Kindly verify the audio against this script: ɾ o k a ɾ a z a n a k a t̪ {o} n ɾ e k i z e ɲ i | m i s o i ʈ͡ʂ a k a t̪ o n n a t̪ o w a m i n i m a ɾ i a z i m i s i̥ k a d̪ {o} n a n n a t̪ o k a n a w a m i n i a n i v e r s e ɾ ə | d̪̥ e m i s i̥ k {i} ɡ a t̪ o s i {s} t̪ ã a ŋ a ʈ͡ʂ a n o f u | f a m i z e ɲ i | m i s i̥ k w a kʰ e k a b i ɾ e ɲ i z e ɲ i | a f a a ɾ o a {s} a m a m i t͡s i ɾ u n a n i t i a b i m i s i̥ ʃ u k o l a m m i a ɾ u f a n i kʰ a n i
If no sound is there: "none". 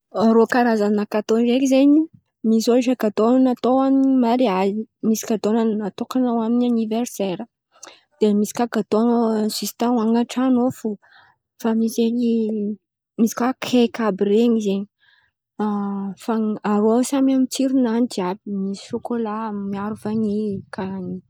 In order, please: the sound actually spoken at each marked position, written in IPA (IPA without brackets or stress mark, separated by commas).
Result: o, o, a, s, s